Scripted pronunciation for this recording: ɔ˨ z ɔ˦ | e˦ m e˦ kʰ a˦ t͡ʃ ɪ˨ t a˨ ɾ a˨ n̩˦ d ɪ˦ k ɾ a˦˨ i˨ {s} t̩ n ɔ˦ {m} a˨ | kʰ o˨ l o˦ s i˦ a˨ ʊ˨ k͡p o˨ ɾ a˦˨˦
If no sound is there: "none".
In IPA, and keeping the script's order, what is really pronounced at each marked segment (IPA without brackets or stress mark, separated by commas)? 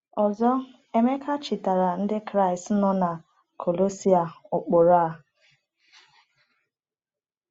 s, n